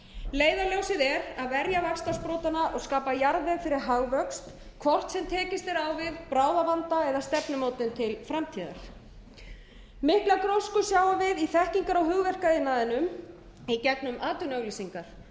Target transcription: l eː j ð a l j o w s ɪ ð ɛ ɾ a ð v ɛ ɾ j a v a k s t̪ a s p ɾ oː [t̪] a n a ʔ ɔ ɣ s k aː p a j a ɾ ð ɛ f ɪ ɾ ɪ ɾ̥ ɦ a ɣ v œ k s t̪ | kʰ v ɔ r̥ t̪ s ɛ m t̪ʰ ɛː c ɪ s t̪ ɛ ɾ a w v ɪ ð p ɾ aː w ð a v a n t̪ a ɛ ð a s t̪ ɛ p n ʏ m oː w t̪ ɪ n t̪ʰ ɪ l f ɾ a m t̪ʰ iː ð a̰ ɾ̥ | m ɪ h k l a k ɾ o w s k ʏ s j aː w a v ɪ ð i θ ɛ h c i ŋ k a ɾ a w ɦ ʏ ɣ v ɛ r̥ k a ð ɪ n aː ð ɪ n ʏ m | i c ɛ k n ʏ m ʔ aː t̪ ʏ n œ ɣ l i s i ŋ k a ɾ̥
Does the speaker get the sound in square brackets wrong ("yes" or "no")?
no